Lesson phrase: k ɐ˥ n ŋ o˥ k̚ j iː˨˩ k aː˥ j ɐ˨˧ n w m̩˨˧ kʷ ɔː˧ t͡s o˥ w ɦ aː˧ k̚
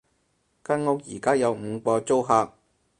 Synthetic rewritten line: k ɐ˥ n ŋ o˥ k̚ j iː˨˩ k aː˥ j ɐ˨˧ w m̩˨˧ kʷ ɔː˧ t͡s o˥ w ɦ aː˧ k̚